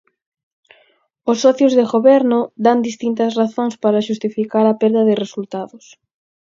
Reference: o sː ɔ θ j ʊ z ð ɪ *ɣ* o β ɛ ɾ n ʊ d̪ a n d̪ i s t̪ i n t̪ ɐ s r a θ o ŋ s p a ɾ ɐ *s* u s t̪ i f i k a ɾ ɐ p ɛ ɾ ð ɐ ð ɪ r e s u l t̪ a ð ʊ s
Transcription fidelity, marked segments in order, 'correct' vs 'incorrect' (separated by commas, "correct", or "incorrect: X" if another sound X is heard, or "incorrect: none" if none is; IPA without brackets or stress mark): correct, incorrect: ʃ